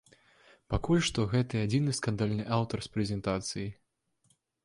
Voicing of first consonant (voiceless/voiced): voiceless